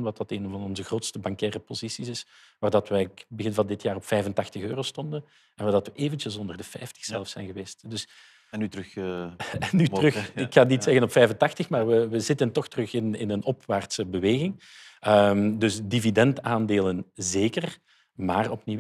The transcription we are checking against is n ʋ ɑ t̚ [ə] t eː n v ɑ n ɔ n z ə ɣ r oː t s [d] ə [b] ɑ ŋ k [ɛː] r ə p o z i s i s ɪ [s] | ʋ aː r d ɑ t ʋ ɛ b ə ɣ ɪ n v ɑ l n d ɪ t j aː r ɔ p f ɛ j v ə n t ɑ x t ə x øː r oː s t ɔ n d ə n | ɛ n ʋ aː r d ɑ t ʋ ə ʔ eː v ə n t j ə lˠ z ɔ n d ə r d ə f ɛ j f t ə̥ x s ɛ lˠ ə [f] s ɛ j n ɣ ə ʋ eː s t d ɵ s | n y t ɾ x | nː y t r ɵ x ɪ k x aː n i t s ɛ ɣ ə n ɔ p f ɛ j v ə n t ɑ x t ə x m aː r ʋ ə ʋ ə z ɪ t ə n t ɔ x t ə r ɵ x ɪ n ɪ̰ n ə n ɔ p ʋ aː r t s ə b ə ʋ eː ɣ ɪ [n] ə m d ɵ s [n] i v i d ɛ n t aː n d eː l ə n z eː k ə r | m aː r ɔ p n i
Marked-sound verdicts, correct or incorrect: incorrect: ɑ, incorrect: t, correct, correct, correct, correct, incorrect: ŋ, incorrect: d

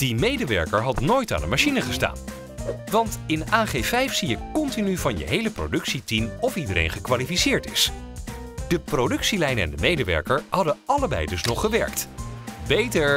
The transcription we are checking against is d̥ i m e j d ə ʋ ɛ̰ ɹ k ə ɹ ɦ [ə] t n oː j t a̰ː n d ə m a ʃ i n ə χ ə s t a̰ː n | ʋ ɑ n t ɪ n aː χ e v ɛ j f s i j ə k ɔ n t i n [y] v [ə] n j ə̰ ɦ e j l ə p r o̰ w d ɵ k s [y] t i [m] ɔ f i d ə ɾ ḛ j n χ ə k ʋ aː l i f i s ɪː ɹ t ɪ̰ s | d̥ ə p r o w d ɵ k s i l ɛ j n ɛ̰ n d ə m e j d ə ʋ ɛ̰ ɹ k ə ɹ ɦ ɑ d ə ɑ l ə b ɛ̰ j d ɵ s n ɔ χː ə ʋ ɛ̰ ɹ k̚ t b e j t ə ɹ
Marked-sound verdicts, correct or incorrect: incorrect: ɑ, correct, incorrect: ɑ, incorrect: i, correct

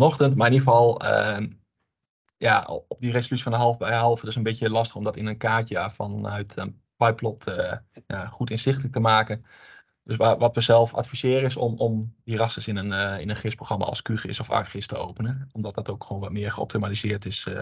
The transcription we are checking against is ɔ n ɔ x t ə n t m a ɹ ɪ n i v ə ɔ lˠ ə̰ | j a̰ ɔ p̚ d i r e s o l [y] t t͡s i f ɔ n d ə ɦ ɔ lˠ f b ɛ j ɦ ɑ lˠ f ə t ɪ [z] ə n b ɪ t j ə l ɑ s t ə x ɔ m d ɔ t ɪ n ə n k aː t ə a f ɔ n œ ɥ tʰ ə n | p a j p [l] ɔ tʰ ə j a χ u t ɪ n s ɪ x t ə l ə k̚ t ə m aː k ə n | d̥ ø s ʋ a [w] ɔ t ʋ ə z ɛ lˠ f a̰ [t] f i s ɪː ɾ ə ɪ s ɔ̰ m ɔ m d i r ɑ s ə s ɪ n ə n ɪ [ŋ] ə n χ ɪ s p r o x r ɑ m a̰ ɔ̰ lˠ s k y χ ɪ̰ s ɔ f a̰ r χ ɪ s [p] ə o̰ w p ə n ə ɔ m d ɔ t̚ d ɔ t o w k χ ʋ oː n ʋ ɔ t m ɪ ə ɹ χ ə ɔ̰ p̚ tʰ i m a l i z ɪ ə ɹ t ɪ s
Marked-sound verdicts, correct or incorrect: correct, incorrect: s, correct, incorrect: ʋ, correct, incorrect: n, incorrect: t

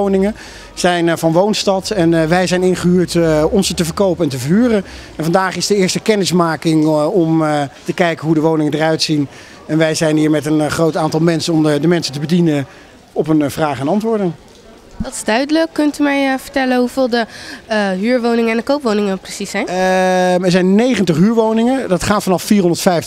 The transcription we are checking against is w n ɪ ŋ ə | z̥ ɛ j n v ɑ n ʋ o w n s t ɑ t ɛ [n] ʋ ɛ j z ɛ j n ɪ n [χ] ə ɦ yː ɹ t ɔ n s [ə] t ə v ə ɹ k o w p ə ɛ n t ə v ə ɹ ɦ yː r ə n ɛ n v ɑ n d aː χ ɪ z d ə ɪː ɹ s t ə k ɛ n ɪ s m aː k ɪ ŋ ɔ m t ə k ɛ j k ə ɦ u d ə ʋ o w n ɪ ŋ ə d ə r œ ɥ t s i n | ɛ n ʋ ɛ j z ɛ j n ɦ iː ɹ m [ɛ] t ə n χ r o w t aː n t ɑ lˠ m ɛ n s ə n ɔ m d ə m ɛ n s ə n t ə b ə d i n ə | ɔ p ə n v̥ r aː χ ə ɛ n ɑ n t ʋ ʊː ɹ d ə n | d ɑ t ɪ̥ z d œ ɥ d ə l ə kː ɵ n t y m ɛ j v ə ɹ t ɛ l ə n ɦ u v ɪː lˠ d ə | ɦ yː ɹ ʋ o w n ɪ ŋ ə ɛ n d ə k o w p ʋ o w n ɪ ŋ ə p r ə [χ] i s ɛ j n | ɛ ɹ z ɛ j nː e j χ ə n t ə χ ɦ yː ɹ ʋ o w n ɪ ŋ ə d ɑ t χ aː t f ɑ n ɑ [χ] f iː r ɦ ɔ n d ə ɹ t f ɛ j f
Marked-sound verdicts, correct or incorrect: correct, correct, correct, correct, incorrect: s, incorrect: f

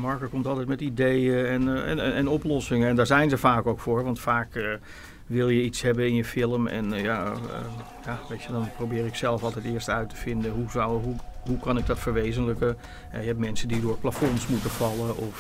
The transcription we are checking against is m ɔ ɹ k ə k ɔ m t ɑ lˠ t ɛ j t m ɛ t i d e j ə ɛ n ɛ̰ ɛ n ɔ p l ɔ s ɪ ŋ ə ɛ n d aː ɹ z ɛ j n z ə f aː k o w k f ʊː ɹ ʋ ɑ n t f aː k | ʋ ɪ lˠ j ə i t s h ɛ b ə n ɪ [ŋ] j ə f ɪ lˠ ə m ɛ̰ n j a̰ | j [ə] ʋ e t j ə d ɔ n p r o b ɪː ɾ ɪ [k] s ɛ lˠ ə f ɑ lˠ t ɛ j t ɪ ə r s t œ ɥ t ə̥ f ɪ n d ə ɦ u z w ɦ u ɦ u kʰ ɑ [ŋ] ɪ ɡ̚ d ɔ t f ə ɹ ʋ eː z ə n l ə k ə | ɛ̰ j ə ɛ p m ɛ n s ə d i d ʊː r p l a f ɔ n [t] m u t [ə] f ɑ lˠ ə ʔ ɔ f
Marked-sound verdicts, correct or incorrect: incorrect: n, incorrect: a, correct, incorrect: n, incorrect: s, correct

